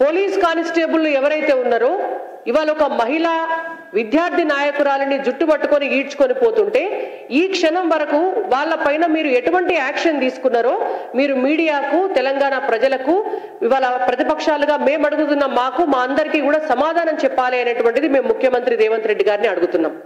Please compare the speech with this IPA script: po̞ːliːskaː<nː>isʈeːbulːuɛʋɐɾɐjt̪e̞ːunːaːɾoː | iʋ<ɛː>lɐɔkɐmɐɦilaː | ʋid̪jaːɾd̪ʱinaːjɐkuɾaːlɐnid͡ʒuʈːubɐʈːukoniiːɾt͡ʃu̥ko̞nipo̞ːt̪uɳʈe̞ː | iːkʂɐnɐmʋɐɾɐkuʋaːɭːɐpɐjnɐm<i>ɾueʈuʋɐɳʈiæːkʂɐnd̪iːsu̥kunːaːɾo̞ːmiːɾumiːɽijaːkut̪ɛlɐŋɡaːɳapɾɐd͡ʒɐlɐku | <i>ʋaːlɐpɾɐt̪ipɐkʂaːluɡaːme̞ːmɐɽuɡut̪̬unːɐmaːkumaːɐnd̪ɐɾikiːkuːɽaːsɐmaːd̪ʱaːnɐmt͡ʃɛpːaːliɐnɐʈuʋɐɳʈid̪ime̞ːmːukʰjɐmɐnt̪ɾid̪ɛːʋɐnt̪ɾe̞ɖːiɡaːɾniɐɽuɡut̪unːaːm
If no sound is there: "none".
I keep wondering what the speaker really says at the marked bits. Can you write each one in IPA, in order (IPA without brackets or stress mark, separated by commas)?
n, aː, iː, i